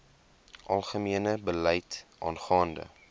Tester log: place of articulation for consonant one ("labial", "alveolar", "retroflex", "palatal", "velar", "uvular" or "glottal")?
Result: glottal